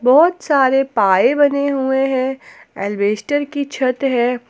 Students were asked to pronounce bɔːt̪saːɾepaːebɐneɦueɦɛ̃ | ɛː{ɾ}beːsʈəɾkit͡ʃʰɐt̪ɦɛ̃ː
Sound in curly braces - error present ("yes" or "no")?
yes